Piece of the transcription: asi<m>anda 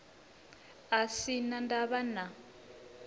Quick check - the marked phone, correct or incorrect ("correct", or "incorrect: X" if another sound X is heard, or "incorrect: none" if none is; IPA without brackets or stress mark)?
incorrect: n